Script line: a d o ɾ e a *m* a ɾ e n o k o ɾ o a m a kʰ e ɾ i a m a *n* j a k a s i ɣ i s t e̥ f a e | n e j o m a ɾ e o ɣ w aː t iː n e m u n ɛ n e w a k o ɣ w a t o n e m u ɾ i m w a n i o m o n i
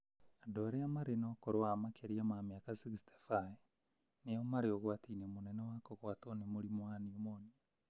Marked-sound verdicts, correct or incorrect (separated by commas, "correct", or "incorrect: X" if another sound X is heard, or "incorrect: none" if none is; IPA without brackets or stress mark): correct, incorrect: m